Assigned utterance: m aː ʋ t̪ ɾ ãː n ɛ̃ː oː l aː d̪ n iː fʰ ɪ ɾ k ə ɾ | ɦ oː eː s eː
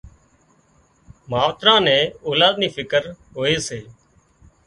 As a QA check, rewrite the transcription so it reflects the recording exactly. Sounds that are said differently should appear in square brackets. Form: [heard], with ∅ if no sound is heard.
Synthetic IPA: m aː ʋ t̪ ɾ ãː n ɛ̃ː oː l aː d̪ n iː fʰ ɪ [∅] k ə ɾ | ɦ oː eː s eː